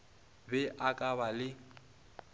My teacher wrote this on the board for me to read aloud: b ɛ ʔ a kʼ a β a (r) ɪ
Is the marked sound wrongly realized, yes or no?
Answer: yes